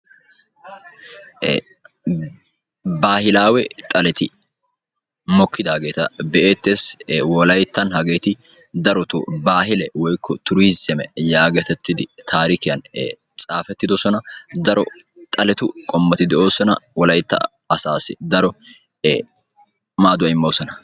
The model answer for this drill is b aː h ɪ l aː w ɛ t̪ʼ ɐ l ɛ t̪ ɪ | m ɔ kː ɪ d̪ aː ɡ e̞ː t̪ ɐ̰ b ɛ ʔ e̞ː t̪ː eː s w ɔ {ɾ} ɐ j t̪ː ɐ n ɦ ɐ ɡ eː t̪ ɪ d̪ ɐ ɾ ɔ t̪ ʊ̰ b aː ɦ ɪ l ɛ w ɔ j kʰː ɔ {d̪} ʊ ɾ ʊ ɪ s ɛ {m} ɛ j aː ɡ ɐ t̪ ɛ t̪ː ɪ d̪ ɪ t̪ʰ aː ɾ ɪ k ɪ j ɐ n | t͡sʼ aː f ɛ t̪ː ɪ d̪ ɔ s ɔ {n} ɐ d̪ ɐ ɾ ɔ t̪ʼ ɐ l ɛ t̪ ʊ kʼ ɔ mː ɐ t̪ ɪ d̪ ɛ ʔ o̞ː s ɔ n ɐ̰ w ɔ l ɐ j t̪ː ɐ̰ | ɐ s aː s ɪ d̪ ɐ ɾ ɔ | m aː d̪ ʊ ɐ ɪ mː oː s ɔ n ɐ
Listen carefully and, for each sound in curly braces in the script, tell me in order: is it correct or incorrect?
incorrect, incorrect, correct, correct

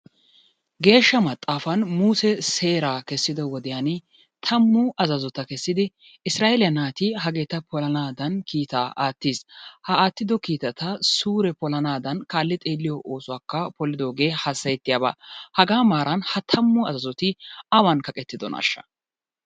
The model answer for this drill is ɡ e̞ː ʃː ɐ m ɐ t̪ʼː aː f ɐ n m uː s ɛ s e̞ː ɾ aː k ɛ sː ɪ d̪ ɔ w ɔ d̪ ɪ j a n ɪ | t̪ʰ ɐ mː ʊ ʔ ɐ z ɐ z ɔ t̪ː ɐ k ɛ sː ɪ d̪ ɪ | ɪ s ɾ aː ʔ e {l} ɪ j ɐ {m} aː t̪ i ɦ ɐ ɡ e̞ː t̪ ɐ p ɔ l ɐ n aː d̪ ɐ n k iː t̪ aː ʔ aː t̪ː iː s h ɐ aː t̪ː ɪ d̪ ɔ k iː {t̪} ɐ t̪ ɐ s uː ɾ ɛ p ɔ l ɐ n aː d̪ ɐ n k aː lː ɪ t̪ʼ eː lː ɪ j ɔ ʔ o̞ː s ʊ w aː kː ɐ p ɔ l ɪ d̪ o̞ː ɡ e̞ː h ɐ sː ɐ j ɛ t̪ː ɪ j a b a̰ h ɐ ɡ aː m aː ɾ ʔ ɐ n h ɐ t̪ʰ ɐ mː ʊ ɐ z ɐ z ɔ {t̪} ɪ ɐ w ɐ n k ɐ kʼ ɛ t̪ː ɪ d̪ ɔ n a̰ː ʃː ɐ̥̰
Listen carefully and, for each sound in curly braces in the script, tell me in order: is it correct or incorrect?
correct, incorrect, correct, correct

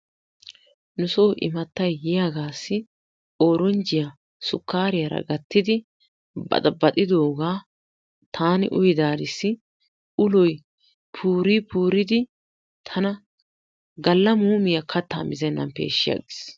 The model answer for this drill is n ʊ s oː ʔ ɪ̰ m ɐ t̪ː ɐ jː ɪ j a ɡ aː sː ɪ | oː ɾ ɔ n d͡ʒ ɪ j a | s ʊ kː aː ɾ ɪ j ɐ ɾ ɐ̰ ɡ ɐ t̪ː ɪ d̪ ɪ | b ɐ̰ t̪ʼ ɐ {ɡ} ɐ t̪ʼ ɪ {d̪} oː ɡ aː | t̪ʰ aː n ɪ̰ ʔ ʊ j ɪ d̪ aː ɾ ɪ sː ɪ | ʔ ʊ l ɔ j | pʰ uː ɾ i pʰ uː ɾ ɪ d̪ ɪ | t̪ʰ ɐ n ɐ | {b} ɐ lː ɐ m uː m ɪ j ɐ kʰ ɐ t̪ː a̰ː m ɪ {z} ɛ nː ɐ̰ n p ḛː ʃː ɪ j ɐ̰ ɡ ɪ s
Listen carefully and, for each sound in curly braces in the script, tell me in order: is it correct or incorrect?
incorrect, correct, incorrect, correct

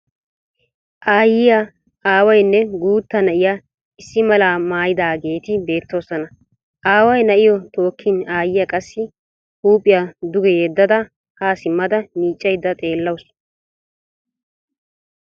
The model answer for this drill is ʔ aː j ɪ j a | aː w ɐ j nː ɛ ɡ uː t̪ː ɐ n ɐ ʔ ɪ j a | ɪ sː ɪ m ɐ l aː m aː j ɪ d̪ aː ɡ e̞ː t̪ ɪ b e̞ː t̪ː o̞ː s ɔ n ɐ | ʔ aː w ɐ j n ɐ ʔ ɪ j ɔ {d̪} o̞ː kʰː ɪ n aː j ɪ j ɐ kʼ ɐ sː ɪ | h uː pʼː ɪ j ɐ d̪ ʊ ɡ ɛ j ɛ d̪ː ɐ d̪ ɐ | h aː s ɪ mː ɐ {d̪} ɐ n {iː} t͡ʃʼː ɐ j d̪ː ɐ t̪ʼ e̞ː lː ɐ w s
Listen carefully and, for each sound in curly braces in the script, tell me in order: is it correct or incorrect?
incorrect, correct, correct

